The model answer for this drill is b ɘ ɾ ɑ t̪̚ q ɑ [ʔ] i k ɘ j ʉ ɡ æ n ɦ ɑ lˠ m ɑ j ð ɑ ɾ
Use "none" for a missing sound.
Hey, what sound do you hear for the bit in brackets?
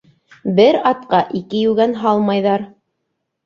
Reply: ʔ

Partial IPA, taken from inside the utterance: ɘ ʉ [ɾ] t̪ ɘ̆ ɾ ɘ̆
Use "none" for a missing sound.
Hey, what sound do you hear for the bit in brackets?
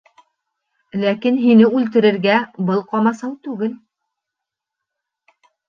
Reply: l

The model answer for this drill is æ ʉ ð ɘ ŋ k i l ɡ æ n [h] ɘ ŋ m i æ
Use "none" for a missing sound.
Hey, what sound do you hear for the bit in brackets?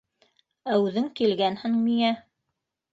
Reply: h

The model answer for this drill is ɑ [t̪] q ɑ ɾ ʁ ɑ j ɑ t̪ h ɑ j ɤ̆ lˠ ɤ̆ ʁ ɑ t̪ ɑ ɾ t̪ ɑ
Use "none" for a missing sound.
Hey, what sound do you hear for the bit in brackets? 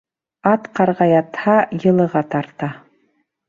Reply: t̪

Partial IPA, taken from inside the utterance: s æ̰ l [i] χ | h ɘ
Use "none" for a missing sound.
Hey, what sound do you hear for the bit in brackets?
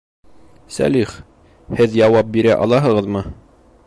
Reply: i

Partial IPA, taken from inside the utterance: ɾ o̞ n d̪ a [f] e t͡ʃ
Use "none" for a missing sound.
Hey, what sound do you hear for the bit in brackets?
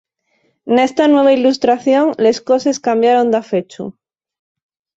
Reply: f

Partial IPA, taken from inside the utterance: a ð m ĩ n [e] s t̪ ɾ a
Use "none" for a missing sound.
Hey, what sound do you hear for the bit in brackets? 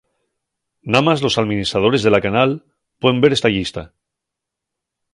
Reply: i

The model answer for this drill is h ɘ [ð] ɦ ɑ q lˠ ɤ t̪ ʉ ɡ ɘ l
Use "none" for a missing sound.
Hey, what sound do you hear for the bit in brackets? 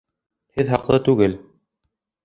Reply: ð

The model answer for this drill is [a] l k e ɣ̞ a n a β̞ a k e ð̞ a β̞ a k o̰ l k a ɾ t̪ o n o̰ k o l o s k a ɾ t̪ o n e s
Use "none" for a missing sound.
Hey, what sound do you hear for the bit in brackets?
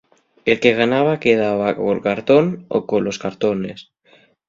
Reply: e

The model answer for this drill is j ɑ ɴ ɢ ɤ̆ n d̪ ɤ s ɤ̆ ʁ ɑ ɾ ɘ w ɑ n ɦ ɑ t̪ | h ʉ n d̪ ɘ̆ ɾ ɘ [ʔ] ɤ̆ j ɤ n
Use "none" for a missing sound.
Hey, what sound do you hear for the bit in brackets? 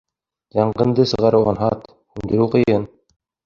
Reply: q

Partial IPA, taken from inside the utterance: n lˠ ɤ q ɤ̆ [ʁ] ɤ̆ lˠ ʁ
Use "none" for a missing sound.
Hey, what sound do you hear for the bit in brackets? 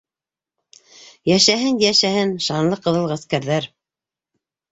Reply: ð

